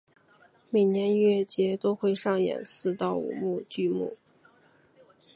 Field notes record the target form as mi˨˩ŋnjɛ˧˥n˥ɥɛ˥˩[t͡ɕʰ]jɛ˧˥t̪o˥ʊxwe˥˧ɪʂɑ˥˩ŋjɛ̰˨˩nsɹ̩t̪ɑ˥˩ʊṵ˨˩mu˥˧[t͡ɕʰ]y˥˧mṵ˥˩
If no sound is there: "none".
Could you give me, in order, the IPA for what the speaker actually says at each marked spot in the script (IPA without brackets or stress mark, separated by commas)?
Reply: t͡ɕ, t͡ɕ